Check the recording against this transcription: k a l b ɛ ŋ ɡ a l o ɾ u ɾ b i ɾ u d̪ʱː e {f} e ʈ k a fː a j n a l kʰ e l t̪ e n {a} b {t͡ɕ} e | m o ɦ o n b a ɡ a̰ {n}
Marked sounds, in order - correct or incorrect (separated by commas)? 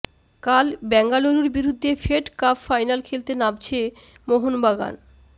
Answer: correct, correct, incorrect, correct